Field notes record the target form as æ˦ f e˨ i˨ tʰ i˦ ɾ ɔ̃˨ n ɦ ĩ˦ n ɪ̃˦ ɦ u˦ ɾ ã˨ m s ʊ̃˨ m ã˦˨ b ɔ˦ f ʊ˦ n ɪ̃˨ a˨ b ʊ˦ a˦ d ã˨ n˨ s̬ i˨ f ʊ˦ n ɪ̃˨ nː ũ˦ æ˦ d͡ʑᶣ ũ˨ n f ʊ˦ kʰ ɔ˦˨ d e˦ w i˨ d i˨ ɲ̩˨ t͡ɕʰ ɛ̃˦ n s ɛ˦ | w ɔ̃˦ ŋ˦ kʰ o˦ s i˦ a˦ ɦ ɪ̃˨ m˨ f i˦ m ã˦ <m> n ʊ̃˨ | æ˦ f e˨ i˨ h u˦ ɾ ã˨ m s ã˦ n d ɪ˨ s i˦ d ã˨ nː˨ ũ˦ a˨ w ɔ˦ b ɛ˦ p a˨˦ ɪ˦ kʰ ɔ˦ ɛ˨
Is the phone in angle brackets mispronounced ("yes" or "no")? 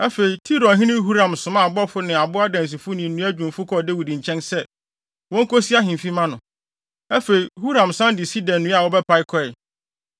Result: yes